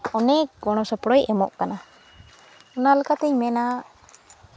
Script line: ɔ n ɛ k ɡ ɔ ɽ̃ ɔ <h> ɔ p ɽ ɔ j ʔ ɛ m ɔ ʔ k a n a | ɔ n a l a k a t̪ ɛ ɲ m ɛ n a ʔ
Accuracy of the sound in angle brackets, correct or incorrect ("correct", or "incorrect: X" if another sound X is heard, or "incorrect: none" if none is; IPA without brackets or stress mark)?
incorrect: s